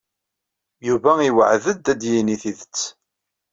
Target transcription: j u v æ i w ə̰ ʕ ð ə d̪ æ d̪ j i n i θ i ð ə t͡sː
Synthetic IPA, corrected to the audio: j u v æ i w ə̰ ʕ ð ə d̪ æ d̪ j i n i θ i ð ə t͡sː